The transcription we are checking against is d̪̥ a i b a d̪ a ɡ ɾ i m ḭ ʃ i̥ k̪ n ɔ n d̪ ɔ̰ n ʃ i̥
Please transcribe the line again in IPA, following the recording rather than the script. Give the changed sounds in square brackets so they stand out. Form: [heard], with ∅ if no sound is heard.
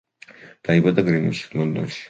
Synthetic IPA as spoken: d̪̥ a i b a d̪ a ɡ ɾ i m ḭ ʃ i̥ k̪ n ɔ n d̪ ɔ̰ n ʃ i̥

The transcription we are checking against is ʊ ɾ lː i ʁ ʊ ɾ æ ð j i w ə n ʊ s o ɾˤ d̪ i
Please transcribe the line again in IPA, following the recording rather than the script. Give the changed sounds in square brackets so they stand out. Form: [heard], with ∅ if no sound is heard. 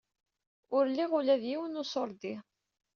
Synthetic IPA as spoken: ʊ ɾ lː i ʁ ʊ [l] æ ð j i w ə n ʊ s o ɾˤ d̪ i

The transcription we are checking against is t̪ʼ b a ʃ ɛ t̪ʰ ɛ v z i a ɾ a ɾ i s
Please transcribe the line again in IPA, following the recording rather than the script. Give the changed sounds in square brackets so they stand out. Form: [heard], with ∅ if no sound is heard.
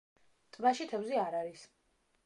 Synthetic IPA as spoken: t̪ʼ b a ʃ [i] t̪ʰ ɛ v z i a ɾ a ɾ i s

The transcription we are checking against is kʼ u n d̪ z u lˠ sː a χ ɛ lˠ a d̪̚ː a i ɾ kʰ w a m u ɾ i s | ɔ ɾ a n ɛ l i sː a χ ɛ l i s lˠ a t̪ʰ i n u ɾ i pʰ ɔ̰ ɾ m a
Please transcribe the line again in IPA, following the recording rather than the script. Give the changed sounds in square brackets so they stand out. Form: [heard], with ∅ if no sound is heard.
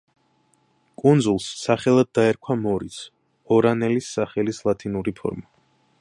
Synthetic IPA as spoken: kʼ u n d̪ z u lˠ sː a χ ɛ lˠ a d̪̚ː a [ɛ] ɾ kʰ w a m [ɔ] ɾ i s | ɔ ɾ a n ɛ l i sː a χ ɛ l i s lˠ a t̪ʰ i n u ɾ i pʰ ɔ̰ ɾ m a

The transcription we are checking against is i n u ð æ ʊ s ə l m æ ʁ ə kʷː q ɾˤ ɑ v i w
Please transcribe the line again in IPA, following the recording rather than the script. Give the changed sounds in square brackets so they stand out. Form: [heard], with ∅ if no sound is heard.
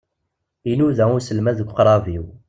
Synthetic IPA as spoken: i n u ð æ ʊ s ə l m æ [ð] ə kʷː q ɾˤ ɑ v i w

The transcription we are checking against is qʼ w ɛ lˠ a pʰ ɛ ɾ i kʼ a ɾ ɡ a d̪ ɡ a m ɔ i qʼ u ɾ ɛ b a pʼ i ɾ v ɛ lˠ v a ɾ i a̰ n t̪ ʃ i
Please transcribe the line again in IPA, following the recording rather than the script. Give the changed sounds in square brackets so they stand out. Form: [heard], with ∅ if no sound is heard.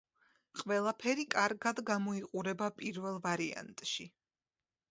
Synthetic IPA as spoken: qʼ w ɛ lˠ a pʰ ɛ ɾ i kʼ a ɾ ɡ a d̪ ɡ a m ɔ i qʼ u ɾ ɛ b a pʼ i ɾ v ɛ lˠ v a ɾ i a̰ n [t̪ʼ] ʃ i

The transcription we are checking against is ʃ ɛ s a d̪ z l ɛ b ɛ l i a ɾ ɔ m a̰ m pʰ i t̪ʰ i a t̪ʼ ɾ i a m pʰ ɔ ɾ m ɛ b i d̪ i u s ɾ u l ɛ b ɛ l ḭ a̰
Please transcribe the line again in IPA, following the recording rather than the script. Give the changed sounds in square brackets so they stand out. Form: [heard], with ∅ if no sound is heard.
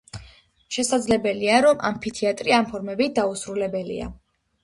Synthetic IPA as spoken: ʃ ɛ s a d̪ z l ɛ b ɛ l i a ɾ ɔ m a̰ m pʰ i t̪ʰ i a t̪ʼ ɾ i a m pʰ ɔ ɾ m ɛ b i d̪ [a] u s ɾ u l ɛ b ɛ l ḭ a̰

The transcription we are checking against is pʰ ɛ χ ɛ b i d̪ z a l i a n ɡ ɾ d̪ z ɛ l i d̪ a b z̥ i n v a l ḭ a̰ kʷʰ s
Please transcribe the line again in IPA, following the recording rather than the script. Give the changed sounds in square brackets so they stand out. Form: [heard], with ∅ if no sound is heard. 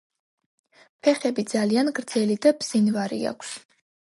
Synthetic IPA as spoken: pʰ ɛ χ ɛ b i d̪ z a l i a n ɡ ɾ d̪ z ɛ l i d̪ a b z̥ i n v a [ɾ] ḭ a̰ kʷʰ s

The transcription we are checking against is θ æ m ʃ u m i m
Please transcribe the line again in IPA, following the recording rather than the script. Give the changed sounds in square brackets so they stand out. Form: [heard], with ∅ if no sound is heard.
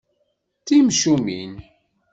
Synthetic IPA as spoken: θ [i] m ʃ u m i [n]

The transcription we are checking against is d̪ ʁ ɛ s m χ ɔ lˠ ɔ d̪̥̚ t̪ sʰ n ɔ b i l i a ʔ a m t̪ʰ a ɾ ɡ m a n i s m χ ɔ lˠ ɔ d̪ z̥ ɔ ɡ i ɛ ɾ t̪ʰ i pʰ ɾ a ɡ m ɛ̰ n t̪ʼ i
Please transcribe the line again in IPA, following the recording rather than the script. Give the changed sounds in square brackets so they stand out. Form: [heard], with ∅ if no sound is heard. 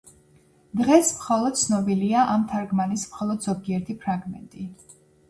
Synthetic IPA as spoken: d̪ ʁ ɛ s m χ ɔ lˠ ɔ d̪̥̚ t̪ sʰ n ɔ b i l i a ʔ a m t̪ʰ a ɾ ɡ m a n i s m χ ɔ lˠ ɔ d̪ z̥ ɔ ɡ i ɛ ɾ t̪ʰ i pʰ ɾ a ɡ m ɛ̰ n t̪ʼ i

